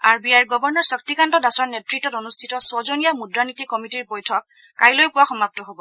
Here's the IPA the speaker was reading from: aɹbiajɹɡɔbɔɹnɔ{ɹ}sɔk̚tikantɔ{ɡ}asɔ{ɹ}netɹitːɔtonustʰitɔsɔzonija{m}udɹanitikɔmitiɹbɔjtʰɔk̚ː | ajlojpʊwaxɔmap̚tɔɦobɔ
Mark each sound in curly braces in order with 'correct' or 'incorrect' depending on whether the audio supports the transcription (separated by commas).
correct, incorrect, correct, correct